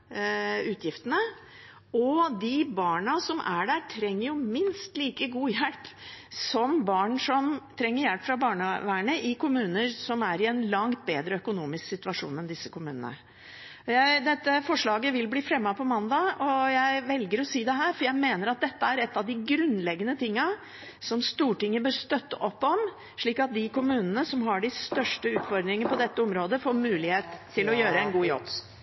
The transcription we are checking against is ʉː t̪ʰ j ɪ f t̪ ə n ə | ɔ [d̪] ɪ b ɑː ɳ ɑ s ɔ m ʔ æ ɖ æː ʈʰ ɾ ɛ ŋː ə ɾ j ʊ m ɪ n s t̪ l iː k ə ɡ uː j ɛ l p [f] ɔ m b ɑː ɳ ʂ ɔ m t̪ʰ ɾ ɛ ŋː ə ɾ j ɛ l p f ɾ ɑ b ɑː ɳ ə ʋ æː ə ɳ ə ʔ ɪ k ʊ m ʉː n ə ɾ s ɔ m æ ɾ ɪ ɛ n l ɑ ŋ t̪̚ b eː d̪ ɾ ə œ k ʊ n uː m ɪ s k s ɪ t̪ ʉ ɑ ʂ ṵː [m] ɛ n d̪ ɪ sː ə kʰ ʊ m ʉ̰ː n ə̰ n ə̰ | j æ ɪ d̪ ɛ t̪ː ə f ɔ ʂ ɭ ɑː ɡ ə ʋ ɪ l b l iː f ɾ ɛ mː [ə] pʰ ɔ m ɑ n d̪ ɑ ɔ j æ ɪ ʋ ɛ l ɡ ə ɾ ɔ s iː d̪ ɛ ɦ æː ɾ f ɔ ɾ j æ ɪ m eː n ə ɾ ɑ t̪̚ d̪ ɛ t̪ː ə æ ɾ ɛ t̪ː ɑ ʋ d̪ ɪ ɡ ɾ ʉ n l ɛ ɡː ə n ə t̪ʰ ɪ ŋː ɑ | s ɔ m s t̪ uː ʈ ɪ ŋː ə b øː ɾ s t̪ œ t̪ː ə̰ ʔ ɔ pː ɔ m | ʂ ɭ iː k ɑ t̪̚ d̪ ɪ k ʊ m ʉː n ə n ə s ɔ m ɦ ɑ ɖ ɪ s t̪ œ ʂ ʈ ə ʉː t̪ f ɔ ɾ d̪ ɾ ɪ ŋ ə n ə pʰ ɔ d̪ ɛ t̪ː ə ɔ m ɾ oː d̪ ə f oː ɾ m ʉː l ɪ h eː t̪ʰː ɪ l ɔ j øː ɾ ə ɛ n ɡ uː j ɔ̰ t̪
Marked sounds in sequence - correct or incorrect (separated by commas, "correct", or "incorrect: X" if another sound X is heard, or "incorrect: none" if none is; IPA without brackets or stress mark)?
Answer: correct, incorrect: s, incorrect: n, incorrect: ɑ